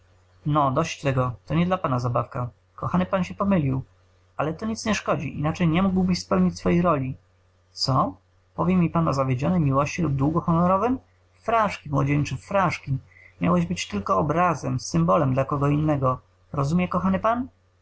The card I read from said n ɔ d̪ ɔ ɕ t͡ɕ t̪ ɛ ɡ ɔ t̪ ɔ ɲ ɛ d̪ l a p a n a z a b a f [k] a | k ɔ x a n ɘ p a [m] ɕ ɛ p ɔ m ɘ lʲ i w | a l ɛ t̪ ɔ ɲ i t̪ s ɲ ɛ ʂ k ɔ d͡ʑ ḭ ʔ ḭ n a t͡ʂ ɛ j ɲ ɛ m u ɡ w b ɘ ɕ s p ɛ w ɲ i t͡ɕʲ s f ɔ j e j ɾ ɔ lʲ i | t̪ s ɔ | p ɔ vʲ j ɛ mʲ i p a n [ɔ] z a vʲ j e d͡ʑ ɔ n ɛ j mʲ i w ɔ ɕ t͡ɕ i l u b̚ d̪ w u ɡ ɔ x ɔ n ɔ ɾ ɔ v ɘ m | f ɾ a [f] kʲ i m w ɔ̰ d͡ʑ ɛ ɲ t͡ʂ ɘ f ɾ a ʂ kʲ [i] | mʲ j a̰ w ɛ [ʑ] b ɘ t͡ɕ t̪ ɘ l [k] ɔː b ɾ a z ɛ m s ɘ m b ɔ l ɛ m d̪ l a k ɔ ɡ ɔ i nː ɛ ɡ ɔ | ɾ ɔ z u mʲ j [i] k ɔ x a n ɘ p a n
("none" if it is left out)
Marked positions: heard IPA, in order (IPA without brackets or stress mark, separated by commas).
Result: k, n, ɔ, ʂ, i, ʑ, k, ɛ